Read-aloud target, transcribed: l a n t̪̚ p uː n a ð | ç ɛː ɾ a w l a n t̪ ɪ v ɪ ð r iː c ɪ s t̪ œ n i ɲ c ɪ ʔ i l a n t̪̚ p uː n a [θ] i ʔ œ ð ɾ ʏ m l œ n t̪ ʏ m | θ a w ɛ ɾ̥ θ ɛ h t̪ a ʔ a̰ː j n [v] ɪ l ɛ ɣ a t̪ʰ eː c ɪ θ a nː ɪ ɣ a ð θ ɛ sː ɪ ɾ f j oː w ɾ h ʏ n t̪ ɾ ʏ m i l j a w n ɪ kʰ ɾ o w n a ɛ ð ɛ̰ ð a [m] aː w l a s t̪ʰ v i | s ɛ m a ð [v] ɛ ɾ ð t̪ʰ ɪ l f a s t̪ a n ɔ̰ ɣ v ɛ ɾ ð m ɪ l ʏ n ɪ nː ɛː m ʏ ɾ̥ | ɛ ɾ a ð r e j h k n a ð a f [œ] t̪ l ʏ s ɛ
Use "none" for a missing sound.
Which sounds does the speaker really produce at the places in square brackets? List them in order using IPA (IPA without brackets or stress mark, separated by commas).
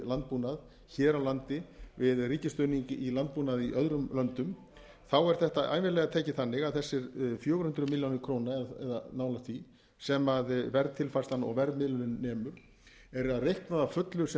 ð, v, n, v, œ